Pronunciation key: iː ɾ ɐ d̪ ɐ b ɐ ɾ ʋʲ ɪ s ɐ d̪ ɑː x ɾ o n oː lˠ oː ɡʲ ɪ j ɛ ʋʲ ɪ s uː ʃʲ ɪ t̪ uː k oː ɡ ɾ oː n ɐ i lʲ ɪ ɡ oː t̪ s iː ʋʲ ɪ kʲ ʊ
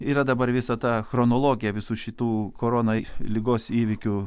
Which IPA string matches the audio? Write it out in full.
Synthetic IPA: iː ɾ ɐ d̪ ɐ b ɐ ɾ ʋʲ ɪ s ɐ t̪ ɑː x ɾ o n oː lˠ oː ɡʲ ɪ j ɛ ʋʲ ɪ s uː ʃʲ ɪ t̪ uː k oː ɾ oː n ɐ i lʲ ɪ ɡ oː s iː ʋʲ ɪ kʲ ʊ